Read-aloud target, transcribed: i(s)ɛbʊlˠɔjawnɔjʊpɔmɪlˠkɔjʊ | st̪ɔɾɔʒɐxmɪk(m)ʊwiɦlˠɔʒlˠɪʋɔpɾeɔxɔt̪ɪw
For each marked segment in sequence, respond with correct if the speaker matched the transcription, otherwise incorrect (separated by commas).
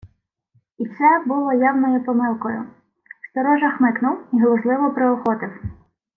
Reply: correct, incorrect